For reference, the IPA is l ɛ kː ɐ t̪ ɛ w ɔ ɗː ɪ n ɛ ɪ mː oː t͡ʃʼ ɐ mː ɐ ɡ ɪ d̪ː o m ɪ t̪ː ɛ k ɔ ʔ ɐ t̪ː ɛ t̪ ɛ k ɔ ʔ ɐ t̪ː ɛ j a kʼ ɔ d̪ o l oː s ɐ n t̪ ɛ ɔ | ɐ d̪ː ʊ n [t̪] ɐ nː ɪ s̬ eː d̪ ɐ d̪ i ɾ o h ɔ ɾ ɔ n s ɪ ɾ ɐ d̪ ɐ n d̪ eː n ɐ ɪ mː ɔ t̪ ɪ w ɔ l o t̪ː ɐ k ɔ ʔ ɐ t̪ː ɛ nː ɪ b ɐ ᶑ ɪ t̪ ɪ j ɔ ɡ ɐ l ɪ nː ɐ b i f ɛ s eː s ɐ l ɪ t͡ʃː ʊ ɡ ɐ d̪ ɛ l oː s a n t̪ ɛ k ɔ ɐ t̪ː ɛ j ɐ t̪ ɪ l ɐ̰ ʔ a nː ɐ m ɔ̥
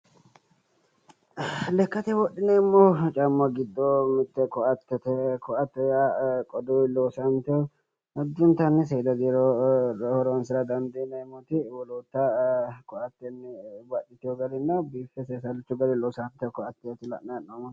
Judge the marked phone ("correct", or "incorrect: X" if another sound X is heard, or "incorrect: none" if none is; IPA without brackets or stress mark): correct